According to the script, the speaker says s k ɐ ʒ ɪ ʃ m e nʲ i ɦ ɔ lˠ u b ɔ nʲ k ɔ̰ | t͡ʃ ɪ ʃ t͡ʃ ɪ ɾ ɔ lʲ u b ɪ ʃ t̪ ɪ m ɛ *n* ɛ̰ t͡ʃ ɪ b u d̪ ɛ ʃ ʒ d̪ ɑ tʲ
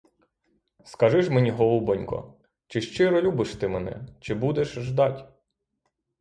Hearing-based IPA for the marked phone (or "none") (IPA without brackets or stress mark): n